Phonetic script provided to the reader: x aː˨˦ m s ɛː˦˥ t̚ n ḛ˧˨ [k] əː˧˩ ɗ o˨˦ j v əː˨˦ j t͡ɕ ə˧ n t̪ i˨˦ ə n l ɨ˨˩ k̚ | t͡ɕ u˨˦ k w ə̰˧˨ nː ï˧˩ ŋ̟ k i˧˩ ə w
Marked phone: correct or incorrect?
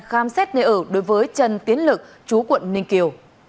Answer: incorrect